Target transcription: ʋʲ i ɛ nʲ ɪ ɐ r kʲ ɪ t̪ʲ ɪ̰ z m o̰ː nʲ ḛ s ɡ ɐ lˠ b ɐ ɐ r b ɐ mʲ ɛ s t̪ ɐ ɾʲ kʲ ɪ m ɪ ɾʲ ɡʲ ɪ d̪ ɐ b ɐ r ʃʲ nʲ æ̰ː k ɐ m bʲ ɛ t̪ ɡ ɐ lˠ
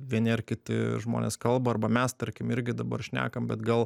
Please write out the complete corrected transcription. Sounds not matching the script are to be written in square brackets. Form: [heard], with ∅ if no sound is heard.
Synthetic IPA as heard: ʋʲ i ɛ nʲ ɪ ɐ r kʲ ɪ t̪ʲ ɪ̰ [ʒ] m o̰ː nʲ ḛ s [k] ɐ lˠ b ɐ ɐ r b ɐ mʲ ɛ s t̪ ɐ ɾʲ kʲ ɪ m ɪ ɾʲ ɡʲ ɪ d̪ ɐ b ɐ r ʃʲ nʲ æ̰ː k ɐ m bʲ ɛ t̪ ɡ ɐ lˠ